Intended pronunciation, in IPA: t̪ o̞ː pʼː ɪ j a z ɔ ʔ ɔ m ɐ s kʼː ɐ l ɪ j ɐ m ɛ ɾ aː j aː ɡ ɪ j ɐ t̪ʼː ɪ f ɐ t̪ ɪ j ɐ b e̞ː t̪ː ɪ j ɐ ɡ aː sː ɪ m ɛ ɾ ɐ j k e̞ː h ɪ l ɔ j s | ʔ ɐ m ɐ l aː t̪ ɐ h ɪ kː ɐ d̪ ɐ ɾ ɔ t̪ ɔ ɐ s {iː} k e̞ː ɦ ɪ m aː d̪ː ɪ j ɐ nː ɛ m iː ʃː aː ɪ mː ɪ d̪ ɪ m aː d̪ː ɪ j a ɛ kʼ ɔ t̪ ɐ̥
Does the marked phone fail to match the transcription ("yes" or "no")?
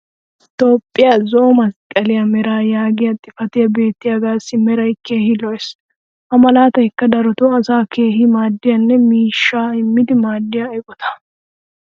yes